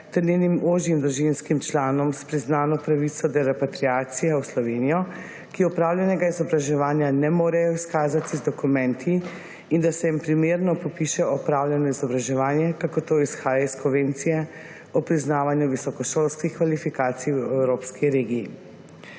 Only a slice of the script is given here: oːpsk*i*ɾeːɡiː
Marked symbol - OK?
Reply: yes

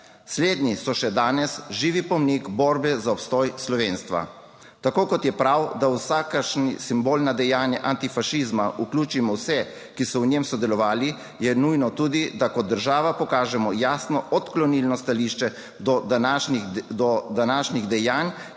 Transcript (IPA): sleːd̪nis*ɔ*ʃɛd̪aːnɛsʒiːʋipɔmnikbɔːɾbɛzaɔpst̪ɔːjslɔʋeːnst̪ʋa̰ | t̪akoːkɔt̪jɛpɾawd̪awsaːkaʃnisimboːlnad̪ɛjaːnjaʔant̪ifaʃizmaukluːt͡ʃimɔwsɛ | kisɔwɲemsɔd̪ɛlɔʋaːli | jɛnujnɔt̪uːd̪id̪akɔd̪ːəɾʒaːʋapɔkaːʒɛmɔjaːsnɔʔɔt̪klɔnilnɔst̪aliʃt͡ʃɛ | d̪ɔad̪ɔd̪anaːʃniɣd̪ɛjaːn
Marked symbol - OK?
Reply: yes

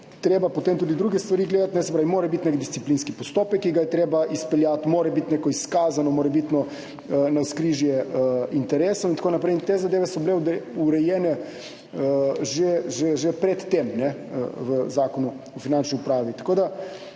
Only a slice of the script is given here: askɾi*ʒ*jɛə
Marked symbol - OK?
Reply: yes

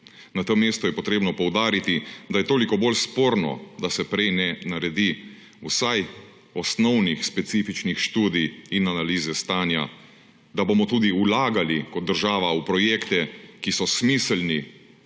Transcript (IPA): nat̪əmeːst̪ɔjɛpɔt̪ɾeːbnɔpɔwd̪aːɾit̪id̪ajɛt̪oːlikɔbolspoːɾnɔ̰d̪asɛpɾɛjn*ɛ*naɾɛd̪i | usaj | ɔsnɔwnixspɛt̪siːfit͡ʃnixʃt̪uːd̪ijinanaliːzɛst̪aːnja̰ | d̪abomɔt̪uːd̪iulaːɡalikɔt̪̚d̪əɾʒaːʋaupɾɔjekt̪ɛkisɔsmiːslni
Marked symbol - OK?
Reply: yes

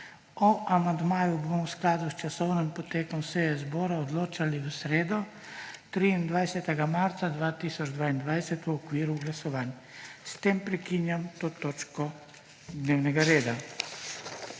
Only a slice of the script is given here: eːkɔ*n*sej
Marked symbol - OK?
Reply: no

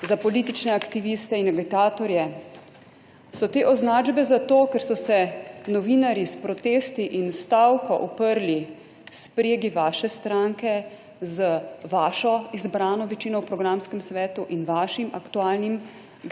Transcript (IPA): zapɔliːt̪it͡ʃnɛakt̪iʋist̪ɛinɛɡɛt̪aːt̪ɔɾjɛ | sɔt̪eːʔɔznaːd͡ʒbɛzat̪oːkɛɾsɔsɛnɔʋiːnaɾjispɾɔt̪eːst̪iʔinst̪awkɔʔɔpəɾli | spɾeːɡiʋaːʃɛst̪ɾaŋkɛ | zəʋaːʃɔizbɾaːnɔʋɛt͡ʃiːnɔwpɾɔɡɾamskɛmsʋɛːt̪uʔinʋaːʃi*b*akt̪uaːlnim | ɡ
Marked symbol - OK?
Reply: no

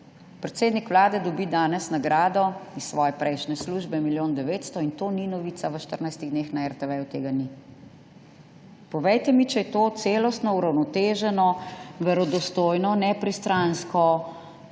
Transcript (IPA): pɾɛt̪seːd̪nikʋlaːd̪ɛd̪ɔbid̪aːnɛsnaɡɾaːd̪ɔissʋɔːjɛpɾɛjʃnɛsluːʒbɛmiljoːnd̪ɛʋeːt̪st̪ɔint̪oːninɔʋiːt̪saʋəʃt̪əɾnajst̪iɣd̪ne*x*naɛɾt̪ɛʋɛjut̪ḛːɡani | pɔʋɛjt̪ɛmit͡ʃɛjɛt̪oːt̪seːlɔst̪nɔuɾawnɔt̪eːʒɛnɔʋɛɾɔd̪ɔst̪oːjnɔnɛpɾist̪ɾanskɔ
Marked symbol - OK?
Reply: yes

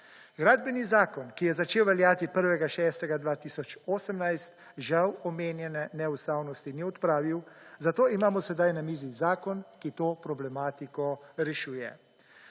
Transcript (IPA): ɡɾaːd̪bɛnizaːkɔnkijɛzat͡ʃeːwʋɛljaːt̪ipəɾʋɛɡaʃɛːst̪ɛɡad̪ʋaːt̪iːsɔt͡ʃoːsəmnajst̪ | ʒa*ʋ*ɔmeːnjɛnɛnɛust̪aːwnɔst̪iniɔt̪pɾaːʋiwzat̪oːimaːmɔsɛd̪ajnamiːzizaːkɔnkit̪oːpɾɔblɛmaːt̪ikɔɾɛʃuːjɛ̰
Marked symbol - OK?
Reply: no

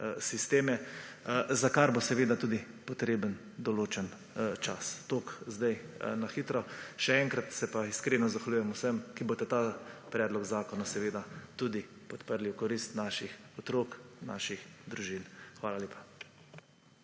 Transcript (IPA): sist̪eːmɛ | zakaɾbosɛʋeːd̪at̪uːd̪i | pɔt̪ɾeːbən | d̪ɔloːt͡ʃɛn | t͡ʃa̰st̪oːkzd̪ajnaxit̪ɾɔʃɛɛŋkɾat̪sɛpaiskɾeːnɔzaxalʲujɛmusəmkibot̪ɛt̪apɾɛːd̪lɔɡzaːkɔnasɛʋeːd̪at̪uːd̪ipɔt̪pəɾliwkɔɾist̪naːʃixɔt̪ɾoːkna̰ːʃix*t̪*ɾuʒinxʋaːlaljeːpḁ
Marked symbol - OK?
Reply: no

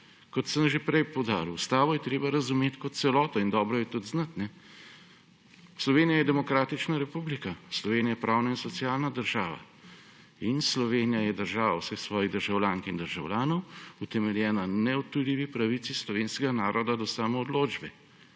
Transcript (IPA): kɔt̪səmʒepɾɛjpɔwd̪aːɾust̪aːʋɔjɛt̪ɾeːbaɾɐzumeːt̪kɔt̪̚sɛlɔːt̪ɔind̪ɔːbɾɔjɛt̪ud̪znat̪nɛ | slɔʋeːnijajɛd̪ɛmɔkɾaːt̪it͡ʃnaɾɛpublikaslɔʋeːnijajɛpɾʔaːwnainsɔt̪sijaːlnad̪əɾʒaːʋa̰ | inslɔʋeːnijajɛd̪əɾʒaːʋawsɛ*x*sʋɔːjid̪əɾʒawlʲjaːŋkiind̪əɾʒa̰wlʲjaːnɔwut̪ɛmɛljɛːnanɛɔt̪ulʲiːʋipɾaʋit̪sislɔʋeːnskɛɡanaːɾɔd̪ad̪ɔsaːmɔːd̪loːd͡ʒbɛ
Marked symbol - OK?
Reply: yes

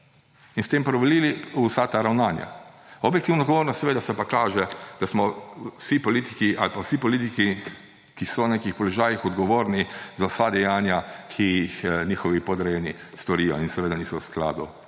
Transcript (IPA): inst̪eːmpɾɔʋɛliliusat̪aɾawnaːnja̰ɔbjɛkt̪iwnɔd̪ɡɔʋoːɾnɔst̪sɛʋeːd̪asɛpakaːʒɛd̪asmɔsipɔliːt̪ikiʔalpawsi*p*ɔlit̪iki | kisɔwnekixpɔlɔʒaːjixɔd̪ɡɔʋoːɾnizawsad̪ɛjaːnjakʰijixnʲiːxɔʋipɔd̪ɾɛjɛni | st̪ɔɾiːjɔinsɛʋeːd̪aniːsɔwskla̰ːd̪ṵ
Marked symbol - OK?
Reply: yes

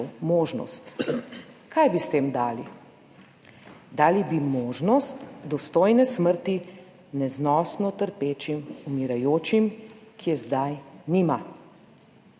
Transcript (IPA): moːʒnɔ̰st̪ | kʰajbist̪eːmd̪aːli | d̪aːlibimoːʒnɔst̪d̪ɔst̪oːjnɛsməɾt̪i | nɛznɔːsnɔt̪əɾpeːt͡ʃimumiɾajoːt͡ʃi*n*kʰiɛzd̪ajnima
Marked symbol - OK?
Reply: no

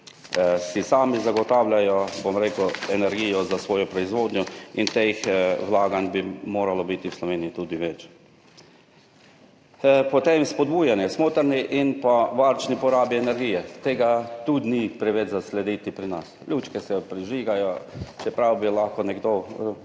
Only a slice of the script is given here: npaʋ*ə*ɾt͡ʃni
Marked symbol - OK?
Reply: no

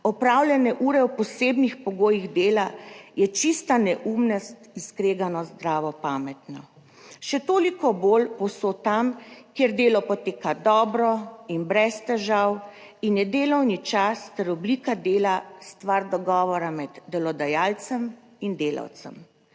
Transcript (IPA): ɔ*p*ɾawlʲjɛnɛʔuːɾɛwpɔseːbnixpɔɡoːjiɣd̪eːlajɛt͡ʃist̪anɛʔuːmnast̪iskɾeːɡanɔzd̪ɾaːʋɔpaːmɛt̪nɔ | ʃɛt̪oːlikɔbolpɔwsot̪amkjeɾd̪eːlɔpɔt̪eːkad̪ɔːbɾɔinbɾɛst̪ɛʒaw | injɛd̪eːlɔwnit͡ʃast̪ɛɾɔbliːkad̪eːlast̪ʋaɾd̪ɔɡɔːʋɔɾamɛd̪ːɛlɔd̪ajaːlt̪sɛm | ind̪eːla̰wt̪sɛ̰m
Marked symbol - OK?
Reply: yes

